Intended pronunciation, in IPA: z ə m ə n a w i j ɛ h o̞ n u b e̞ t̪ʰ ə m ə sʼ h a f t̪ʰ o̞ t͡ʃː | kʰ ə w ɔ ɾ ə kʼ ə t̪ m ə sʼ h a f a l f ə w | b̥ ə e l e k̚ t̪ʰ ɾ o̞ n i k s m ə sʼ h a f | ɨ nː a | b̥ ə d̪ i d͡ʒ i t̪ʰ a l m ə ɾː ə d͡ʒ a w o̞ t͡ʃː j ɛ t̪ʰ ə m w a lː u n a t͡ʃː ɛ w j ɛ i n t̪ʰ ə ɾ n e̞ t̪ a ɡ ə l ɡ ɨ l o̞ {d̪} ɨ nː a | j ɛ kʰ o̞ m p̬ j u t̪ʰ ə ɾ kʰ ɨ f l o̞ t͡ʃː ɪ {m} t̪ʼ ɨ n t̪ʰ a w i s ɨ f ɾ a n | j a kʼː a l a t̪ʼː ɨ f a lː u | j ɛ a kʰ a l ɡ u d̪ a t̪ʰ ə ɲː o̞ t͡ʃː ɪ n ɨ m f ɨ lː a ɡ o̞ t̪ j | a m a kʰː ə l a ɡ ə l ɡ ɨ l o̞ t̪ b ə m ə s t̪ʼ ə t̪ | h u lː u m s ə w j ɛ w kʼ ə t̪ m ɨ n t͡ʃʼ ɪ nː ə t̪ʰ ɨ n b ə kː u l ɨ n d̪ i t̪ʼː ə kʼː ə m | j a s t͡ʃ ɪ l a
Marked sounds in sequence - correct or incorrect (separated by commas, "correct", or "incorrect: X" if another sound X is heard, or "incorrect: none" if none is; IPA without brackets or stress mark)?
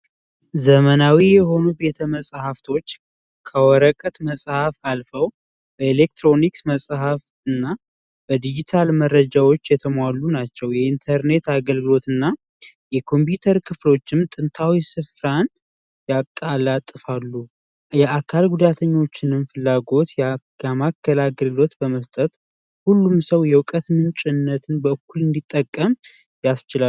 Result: incorrect: t̪, correct